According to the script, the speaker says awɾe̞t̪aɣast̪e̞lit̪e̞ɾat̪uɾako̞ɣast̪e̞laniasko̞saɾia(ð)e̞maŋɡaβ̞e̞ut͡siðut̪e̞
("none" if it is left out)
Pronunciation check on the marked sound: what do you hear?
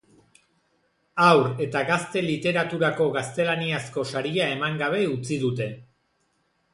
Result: none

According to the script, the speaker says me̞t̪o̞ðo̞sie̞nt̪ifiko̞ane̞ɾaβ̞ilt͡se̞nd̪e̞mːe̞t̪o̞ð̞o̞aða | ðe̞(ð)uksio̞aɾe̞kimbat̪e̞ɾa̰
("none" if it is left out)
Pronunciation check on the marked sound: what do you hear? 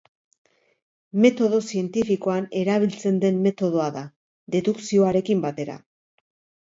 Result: ð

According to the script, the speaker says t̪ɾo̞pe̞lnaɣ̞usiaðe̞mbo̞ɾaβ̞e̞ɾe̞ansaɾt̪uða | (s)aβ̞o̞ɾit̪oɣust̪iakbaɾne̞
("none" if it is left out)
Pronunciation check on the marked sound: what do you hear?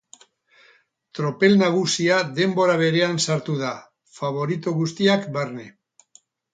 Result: f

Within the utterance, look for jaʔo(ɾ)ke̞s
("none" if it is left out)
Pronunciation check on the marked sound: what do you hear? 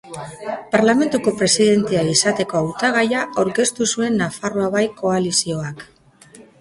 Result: ɾ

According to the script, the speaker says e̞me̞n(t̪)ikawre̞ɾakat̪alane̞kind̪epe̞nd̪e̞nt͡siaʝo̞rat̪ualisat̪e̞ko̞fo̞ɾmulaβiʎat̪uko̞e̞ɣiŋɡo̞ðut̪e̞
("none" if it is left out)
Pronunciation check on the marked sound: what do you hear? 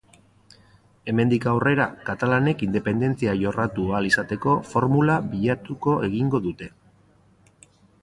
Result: d̪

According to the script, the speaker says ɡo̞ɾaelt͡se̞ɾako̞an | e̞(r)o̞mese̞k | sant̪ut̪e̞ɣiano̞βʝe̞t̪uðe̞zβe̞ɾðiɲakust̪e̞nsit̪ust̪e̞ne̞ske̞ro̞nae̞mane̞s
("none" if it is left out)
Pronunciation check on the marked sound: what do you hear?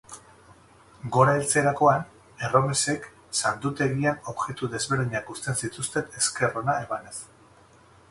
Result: r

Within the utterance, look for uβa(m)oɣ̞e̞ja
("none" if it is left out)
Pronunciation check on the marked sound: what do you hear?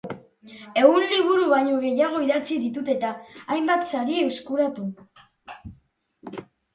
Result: ɲ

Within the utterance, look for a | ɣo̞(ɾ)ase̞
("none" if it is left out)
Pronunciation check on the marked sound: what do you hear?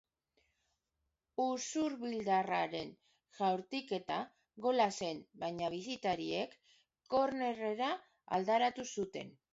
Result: l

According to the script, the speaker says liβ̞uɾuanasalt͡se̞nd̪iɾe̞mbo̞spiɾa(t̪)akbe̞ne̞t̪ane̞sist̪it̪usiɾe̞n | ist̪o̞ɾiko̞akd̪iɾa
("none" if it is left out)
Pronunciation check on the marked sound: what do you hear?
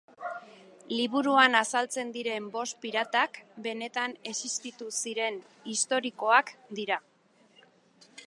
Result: t̪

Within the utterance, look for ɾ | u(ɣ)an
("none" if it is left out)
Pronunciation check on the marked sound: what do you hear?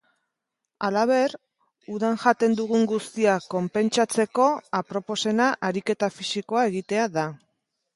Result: ð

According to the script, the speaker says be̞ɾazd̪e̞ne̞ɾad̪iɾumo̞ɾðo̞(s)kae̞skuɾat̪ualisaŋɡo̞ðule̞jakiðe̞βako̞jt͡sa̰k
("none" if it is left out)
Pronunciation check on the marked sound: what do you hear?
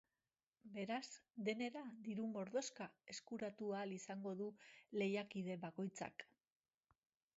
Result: s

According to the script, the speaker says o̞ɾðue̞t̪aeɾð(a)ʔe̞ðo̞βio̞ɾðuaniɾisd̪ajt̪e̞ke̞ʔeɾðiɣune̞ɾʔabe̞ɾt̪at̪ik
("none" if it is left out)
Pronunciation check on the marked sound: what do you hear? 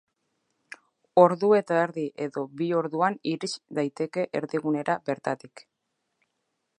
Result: i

